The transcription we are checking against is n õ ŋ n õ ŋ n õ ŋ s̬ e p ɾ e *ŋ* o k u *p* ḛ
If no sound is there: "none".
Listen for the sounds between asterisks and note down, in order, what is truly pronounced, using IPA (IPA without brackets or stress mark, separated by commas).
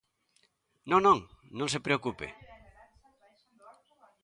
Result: none, p